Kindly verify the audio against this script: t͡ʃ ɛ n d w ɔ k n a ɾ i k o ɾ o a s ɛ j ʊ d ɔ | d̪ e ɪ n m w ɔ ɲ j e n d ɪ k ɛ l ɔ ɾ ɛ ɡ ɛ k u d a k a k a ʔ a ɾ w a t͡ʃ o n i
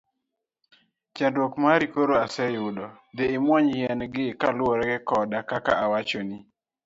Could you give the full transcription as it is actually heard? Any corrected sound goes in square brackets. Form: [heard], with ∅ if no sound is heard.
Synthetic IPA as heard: t͡ʃ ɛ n d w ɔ k [m] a ɾ i k o ɾ o a s ɛ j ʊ d ɔ | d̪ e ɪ [∅] m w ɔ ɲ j [ɛ] n [ɡ] ɪ k [a] l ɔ ɾ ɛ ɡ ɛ k [ɔ] d a k a k a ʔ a [∅] w a t͡ʃ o n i

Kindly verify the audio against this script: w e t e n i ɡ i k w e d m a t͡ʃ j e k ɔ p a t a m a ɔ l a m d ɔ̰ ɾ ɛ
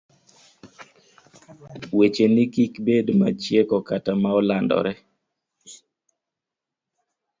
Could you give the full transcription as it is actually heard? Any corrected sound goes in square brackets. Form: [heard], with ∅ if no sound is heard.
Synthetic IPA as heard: w e [t͡ʃ] e n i [k] i k [b] e d m a t͡ʃ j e k ɔ [k] a t a m a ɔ l a [n] d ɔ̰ ɾ ɛ

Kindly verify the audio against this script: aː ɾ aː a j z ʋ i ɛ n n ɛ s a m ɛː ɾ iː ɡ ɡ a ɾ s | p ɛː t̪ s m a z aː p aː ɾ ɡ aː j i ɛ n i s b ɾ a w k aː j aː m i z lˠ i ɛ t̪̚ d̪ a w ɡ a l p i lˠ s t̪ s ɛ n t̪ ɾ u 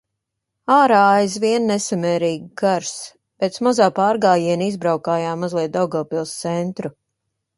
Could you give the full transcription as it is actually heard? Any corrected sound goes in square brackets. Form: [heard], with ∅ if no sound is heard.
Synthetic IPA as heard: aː ɾ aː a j z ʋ i ɛ n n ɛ s a m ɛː ɾ iː ɡ ɡ a ɾ s | p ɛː t̪ s m a z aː p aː ɾ ɡ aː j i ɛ n i [z] b ɾ a w k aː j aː m [a] z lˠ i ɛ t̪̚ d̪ a w ɡ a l p i lˠ s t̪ s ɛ n t̪ ɾ u

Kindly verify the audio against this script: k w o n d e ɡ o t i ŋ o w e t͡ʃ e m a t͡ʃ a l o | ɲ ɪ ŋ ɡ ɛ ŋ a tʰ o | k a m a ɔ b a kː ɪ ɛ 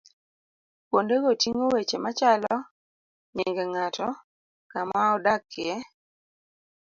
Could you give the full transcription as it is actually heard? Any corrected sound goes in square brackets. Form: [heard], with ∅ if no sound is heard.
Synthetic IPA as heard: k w o n d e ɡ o t i ŋ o w e t͡ʃ e m a t͡ʃ a l [ɔ] | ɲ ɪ ŋ ɡ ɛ ŋ a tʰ [ɔ] | k a m a ɔ [d] a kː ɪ ɛ

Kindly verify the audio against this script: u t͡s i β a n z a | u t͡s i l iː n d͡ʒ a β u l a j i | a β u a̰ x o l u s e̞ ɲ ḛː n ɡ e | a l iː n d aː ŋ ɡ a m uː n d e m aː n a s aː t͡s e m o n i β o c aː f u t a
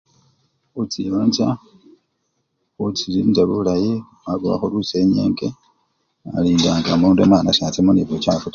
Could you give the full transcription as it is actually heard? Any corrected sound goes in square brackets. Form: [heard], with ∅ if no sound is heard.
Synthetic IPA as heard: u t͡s i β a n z a | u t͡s i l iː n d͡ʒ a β u l a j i | a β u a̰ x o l u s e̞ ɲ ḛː [ŋ] ɡ e | a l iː n d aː ŋ ɡ a m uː n d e m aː n a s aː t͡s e m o n i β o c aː f u t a

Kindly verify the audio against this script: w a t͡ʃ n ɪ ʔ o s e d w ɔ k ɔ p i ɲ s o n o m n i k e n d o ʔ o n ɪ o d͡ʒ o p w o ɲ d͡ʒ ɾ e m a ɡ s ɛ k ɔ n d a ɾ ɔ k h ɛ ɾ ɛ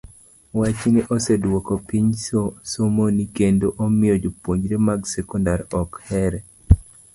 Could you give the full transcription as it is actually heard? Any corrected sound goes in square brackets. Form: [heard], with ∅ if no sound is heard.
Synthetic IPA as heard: w a t͡ʃ n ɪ ʔ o s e d w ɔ k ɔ p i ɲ s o [m] o [∅] n i k e n d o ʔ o [m] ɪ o d͡ʒ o p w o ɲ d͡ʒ ɾ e m a ɡ s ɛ k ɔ n d a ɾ ɔ k h ɛ ɾ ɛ

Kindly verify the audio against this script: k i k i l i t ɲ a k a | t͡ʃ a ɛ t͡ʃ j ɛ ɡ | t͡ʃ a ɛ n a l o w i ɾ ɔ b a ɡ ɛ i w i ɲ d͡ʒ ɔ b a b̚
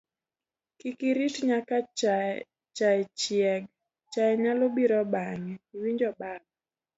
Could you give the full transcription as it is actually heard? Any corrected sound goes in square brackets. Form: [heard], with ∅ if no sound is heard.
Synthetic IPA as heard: k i k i [ɾ] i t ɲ a k a | t͡ʃ a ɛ t͡ʃ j ɛ ɡ | t͡ʃ a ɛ [ɲ] a l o [b] i ɾ ɔ b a [ŋ] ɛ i w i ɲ d͡ʒ ɔ b a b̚

